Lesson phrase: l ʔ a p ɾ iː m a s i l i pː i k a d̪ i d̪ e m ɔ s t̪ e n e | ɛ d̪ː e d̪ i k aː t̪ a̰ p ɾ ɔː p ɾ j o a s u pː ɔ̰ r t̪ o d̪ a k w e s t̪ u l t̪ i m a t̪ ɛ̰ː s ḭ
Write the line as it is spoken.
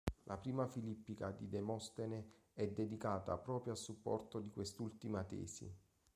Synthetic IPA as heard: l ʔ a p ɾ iː m a f i l i pː i k a d̪ i d̪ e m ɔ s t̪ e n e | ɛ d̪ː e d̪ i k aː t̪ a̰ p ɾ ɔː p ɾ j o a s u pː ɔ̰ r t̪ o d̪ i k w e s t̪ u l t̪ i m a t̪ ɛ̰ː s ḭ